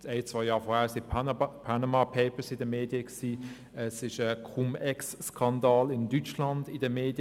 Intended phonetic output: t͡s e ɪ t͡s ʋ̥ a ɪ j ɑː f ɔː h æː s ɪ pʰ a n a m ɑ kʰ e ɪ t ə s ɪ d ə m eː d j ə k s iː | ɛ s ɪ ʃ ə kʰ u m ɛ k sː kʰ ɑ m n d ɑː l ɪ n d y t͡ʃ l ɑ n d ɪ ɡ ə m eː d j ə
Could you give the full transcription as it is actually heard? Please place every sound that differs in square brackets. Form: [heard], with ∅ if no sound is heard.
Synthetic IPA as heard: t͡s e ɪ t͡s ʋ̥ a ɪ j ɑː f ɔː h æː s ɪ pʰ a n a m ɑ [pʰ] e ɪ [p] ə s ɪ d ə m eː d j ə k s iː | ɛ s ɪ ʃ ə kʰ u m ɛ k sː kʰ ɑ [∅] n d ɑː l ɪ n d y t͡ʃ l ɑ n d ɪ [d] ə m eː d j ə